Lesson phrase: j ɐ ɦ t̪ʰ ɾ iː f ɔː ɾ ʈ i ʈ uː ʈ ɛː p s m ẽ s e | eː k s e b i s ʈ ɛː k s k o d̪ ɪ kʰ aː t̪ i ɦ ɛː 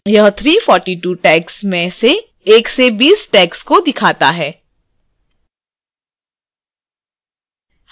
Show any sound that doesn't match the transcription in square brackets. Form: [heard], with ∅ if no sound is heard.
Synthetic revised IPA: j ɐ ɦ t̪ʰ ɾ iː f ɔː ɾ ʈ i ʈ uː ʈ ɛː [k] s m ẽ s e | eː k s e b [iː] s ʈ ɛː k s k o d̪ ɪ kʰ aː t̪ [a] ɦ ɛː